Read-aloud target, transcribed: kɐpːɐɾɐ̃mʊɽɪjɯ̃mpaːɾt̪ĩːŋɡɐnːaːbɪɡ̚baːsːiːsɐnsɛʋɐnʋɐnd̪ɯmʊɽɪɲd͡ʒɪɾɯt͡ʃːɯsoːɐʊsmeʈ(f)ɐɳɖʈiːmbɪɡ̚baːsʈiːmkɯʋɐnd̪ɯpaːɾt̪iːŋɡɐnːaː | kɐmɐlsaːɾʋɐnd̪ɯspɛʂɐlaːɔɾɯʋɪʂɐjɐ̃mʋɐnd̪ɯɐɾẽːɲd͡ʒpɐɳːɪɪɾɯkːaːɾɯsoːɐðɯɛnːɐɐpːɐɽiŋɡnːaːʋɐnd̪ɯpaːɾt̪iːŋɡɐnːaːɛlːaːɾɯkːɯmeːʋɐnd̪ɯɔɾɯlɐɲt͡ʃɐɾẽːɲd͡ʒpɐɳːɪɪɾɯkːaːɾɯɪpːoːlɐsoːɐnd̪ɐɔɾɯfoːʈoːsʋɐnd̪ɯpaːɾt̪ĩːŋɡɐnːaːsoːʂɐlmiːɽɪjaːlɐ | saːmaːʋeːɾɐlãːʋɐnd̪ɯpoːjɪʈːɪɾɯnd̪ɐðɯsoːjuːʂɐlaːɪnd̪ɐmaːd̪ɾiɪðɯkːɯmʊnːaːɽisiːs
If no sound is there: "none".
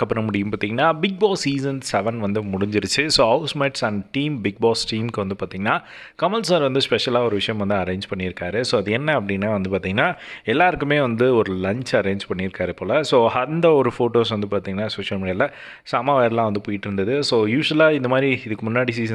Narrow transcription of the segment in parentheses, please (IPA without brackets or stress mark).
s